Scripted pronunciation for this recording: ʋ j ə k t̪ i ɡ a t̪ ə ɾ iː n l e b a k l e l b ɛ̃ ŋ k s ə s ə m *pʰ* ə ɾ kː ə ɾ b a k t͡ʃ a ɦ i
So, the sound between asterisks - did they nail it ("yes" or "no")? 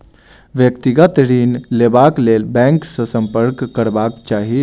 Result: no